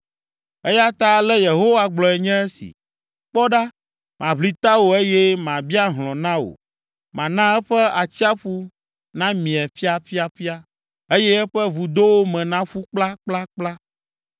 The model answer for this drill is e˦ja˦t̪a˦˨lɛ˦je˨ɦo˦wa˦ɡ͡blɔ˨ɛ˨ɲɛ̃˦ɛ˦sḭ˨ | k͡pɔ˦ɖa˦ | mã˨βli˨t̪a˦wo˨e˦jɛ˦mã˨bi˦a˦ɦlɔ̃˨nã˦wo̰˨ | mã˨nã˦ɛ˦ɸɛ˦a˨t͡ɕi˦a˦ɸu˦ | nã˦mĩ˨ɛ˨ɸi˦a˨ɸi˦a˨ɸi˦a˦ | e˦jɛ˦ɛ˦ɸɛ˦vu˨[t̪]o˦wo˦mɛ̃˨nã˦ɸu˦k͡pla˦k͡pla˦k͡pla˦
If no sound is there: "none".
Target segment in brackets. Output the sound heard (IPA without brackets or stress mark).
d̪